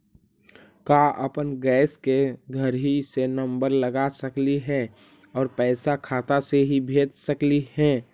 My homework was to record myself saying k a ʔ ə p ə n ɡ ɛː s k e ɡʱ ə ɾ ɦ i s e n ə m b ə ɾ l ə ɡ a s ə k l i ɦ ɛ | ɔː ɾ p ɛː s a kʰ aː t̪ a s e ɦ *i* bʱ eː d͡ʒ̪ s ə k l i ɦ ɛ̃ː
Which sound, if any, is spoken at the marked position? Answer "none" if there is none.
i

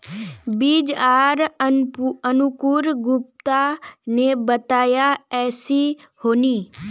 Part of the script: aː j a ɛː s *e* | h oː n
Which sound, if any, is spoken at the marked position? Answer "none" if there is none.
i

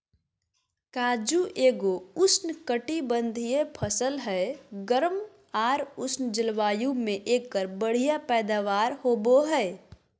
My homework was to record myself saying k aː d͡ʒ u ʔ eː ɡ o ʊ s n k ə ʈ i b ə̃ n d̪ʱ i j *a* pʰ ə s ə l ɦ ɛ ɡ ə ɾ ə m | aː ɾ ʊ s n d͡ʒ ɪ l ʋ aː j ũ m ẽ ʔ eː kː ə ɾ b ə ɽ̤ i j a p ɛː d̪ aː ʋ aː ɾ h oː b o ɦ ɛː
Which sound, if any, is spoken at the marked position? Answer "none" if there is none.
e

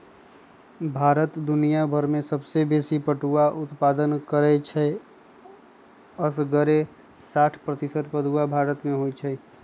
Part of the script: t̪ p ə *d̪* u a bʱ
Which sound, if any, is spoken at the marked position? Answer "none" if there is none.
d̪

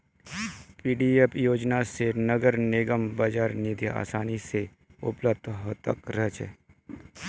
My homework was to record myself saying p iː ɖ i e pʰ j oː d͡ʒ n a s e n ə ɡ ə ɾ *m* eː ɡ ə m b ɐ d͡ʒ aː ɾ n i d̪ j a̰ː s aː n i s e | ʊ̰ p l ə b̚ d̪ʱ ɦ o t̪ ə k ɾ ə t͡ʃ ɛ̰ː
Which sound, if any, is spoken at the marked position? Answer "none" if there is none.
n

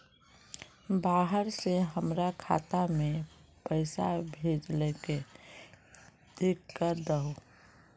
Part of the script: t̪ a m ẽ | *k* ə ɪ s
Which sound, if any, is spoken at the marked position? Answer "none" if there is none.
p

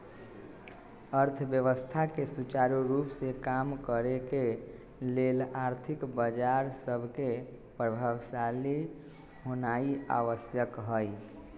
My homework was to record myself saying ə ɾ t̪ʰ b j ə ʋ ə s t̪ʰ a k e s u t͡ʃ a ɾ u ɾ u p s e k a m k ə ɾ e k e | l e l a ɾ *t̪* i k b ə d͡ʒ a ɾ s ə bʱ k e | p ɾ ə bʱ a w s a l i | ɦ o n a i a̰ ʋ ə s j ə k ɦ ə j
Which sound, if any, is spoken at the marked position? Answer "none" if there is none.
t̪ʰ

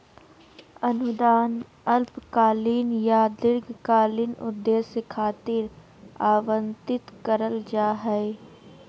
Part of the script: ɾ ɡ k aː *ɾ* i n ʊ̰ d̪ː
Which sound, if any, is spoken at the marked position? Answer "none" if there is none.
l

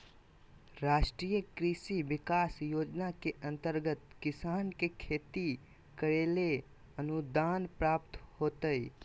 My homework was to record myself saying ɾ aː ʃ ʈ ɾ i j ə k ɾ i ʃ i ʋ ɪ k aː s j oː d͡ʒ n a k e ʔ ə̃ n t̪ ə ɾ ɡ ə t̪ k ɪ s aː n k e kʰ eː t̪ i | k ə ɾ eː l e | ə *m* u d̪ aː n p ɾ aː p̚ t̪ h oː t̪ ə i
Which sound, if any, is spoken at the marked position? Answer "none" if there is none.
n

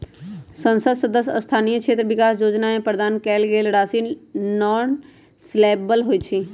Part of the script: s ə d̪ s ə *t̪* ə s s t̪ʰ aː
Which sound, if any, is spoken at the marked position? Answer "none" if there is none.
d̪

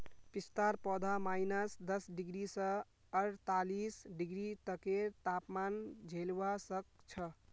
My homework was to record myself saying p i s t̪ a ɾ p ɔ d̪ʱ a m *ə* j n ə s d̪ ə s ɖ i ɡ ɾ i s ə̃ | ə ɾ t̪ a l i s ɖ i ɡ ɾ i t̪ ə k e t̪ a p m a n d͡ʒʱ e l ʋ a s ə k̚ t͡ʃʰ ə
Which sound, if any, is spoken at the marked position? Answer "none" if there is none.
a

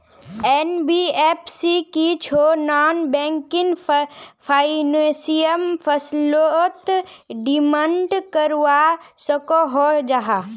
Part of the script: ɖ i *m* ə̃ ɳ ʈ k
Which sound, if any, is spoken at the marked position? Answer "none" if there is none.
m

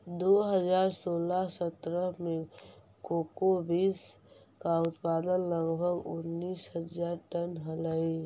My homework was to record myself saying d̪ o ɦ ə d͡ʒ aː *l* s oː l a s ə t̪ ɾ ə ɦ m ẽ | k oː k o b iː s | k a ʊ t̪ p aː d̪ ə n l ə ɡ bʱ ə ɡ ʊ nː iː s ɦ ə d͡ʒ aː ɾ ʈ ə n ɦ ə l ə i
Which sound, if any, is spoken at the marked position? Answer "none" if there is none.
ɾ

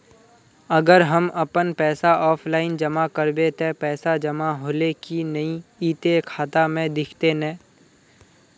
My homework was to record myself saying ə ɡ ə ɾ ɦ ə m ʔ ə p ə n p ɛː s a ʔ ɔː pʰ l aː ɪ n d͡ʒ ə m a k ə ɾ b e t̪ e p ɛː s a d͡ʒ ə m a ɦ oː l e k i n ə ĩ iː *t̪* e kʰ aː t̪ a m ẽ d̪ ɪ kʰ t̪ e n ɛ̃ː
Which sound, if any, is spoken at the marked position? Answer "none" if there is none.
t̪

